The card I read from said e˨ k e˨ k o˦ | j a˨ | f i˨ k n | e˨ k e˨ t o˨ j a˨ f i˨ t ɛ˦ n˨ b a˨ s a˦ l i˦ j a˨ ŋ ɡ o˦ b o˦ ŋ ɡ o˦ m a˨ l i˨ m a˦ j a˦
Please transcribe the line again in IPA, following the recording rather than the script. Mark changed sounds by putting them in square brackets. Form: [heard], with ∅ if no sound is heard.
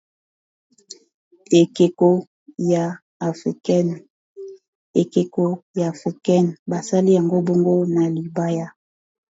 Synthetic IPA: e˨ k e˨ k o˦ | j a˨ | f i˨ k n | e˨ k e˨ [k] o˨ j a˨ f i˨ [k] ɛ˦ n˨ b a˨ s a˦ l i˦ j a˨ ŋ ɡ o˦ b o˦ ŋ ɡ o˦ [n] a˨ l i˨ [b] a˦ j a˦